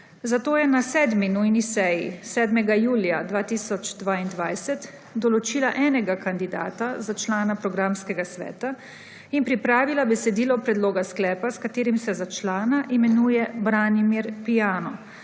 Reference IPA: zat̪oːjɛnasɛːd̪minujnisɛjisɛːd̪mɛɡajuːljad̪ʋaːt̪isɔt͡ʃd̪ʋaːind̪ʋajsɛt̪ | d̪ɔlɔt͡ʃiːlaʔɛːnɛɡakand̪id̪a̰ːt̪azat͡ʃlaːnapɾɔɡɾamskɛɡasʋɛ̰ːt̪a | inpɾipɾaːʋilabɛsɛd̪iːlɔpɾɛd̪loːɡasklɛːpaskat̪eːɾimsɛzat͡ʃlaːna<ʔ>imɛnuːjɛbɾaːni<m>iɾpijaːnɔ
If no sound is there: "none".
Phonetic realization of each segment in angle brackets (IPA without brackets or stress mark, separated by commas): ʔ, m